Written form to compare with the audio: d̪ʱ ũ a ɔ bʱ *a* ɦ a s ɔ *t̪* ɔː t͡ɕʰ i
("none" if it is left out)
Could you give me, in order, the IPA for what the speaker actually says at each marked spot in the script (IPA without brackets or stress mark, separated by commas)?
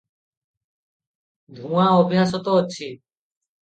i, t̪